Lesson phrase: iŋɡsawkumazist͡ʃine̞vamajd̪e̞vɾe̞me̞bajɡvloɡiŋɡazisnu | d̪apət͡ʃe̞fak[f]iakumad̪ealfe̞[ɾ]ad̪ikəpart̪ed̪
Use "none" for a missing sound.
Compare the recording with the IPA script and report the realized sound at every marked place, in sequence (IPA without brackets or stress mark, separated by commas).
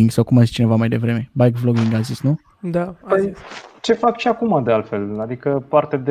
ʃ, l